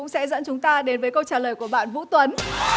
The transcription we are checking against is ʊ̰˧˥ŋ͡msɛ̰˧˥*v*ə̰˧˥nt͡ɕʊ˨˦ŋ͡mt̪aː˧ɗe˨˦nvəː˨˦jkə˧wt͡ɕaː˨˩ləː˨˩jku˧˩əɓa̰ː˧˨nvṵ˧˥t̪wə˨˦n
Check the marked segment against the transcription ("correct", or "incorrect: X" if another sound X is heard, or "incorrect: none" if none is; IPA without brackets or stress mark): incorrect: z